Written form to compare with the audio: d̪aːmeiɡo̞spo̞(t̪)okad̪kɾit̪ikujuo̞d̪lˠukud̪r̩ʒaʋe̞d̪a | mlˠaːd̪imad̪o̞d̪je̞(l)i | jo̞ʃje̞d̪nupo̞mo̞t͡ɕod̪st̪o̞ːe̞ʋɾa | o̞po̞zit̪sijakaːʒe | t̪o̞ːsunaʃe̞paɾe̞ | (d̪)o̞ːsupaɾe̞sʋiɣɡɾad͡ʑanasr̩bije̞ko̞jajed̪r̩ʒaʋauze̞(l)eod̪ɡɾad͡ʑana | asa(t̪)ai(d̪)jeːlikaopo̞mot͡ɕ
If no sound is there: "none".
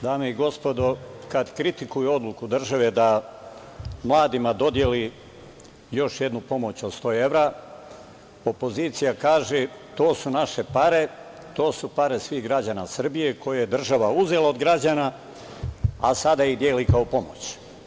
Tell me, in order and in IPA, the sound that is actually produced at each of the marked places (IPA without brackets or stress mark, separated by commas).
d̪, l, t̪, l, d̪, d̪